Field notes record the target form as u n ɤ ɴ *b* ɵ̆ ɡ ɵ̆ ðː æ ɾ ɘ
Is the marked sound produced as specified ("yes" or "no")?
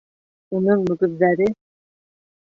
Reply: no